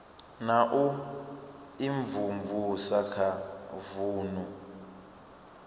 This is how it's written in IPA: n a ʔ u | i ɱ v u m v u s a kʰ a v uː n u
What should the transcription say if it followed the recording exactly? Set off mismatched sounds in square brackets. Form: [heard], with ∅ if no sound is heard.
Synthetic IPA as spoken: n a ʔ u | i ɱ v u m v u s a kʰ a v uː n u